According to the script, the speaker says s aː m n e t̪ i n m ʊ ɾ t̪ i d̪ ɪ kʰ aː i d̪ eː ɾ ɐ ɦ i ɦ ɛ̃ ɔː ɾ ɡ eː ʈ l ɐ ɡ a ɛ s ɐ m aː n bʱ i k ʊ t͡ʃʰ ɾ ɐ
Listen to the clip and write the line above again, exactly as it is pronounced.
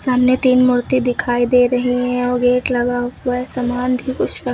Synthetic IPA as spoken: s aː m n e t̪ iː n m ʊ ɾ t̪ i d̪ ɪ kʰ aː i d̪ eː ɾ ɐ ɦ i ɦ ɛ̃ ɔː ɾ ɡ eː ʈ l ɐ ɡ a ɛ s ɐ m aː n bʱ i k ʊ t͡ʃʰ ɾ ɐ